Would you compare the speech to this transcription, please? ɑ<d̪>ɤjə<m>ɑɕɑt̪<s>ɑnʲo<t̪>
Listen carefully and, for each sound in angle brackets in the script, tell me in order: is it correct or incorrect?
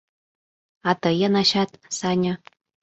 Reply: incorrect: t̪, incorrect: n, correct, incorrect: none

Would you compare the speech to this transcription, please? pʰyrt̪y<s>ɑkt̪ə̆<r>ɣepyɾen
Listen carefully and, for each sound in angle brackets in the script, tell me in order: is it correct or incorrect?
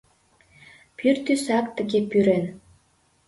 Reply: correct, incorrect: none

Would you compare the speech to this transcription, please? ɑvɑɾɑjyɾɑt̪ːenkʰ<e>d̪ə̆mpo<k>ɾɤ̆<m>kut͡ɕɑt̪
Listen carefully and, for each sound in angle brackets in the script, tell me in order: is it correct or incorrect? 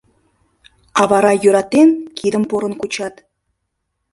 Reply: incorrect: i, incorrect: none, incorrect: n

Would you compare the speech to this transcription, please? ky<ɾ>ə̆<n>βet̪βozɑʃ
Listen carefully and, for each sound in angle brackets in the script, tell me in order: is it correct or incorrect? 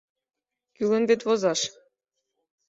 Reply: incorrect: l, correct

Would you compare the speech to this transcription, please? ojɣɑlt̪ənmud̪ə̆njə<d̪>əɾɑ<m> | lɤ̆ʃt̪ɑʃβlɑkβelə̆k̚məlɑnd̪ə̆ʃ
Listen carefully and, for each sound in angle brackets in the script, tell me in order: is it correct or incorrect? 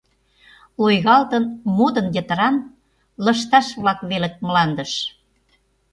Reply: incorrect: t̪, incorrect: n

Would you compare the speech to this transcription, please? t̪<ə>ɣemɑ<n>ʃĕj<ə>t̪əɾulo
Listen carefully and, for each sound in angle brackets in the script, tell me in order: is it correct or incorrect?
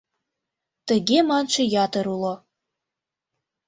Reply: correct, correct, incorrect: ɑ

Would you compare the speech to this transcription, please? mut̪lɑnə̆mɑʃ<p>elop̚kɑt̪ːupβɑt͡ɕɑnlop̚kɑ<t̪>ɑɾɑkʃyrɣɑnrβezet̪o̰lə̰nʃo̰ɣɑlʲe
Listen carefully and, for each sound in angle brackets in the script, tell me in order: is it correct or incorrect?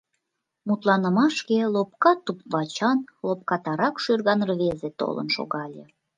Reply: incorrect: k, correct

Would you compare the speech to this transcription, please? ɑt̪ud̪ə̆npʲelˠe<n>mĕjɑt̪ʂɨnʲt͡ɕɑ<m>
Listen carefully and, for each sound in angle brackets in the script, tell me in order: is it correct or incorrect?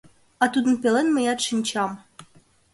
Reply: correct, correct

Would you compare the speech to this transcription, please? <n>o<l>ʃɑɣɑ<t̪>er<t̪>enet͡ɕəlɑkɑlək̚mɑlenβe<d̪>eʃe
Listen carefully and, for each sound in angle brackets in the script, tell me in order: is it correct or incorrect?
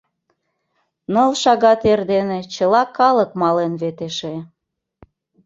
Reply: correct, correct, correct, incorrect: d̪, incorrect: t̪

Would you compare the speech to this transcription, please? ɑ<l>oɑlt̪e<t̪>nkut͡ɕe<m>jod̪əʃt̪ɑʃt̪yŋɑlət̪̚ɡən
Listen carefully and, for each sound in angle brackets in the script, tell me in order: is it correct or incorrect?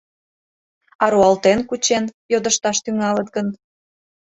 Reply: incorrect: ɾ, incorrect: none, incorrect: n

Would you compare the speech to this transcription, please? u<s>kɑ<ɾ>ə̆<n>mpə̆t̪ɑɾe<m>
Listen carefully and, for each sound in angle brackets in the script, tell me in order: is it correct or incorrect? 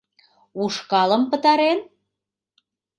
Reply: incorrect: ʃ, incorrect: l, incorrect: none, incorrect: n

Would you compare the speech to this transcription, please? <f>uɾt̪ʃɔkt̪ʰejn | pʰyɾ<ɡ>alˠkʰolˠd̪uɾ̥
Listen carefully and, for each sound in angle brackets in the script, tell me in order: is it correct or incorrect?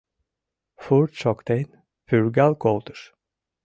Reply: correct, correct

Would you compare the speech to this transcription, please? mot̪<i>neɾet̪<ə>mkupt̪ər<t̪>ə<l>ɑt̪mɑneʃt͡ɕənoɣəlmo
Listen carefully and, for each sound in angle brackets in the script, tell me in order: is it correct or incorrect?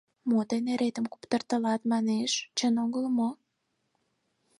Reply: incorrect: e, correct, correct, correct

